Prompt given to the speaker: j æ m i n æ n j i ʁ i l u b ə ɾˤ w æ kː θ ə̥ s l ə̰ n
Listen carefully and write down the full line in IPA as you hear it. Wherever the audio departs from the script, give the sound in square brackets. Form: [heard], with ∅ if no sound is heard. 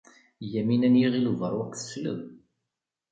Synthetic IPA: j æ m i n æ n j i ʁ i l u [v] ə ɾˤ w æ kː θ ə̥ s l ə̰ [m]